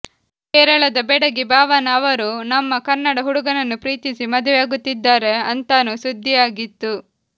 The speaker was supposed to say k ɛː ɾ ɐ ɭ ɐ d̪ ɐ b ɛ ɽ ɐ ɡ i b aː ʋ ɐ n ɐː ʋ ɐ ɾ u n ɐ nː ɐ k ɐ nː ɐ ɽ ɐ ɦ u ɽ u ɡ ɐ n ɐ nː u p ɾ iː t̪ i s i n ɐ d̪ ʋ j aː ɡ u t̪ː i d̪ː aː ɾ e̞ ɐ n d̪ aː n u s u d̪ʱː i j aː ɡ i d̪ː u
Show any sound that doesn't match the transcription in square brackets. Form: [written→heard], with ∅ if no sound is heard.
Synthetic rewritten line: k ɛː ɾ ɐ ɭ ɐ d̪ ɐ b ɛ ɽ ɐ ɡ i b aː ʋ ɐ n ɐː ʋ ɐ ɾ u n ɐ [nː→mː] ɐ k ɐ nː ɐ ɽ ɐ ɦ u ɽ u ɡ ɐ n ɐ nː u p ɾ iː t̪ i s i [n→m] ɐ d̪ ʋ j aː ɡ u t̪ː i d̪ː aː ɾ e̞ ɐ n [d̪→t̪] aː n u s u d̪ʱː i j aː ɡ i [d̪ː→t̪ː] u